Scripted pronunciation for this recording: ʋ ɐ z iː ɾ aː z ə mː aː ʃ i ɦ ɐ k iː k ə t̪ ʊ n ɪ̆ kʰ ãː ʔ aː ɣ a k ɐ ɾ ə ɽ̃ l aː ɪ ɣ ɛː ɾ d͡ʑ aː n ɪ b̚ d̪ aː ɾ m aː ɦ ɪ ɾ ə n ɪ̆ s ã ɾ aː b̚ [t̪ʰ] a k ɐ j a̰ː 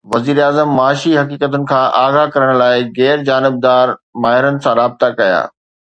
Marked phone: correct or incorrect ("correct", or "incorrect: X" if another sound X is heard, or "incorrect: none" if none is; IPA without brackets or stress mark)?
incorrect: t̪